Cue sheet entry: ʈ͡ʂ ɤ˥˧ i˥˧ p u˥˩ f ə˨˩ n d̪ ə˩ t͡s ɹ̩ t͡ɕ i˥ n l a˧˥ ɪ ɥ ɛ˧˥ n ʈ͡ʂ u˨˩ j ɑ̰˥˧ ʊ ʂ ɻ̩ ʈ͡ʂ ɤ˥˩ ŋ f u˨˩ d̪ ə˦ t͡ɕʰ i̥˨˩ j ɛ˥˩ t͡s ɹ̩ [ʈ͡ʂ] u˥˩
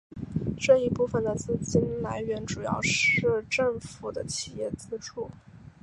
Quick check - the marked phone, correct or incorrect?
incorrect